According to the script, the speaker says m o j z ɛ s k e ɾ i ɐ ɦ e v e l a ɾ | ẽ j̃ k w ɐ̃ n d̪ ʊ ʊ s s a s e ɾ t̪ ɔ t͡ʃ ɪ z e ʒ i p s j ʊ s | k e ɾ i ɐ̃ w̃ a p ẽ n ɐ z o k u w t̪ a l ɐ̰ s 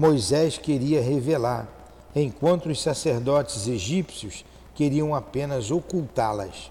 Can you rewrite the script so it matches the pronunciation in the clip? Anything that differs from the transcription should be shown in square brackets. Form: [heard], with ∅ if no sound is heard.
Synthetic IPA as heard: m o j z ɛ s k e ɾ i ɐ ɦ e v e l a ɾ | ẽ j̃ k w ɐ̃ n [t̪] ʊ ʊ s s a s e ɾ [d̪] ɔ t͡ʃ ɪ z e ʒ i p s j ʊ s | k e ɾ i ɐ̃ w̃ a p ẽ n ɐ z o k u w t̪ a l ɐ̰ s